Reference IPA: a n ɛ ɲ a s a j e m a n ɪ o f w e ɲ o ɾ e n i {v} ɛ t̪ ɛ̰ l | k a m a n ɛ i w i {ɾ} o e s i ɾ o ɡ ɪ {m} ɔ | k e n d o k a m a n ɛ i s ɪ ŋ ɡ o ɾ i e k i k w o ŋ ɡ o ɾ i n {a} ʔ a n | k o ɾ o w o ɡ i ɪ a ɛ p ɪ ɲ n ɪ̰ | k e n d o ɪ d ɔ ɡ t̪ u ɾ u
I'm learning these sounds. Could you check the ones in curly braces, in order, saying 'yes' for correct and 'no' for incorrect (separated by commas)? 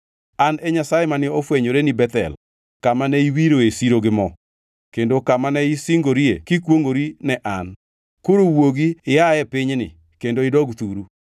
no, yes, yes, no